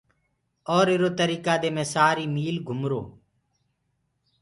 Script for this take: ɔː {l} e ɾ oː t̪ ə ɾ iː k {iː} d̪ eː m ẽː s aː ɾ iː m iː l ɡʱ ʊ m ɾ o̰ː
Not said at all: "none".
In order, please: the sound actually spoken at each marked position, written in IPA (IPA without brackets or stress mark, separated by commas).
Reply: ɾ, aː